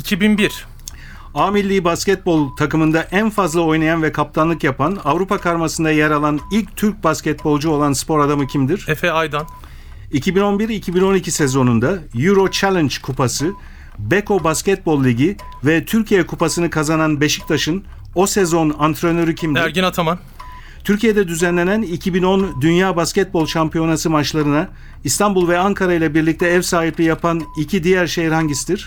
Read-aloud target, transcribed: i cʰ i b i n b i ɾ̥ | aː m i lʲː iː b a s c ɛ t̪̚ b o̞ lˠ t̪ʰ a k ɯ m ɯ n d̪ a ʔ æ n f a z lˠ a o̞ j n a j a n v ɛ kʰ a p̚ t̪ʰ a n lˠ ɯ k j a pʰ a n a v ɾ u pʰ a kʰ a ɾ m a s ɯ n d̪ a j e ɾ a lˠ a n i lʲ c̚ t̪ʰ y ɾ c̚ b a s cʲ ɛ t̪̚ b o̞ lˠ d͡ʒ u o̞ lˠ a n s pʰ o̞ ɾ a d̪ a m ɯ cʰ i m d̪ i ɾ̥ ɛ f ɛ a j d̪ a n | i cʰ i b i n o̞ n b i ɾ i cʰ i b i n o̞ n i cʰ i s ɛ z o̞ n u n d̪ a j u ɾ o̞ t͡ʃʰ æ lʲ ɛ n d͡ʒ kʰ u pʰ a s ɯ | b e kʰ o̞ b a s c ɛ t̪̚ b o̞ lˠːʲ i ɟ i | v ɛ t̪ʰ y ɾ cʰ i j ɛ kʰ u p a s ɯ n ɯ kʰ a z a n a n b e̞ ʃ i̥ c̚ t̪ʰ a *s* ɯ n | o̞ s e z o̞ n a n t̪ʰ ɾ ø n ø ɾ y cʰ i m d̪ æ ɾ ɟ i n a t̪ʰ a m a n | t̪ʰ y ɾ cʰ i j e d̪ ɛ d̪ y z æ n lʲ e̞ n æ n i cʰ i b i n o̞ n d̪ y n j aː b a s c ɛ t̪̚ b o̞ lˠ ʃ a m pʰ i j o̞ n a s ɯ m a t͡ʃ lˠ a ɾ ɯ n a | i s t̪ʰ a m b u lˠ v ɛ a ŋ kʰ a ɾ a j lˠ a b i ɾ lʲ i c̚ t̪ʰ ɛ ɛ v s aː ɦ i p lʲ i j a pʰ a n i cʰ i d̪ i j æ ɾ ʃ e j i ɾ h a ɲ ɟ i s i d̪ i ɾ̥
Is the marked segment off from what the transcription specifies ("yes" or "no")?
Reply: yes